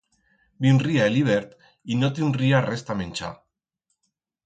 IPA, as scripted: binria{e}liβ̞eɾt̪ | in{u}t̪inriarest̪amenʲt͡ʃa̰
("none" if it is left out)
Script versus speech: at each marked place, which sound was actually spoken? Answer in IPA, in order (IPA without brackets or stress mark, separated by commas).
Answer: e, o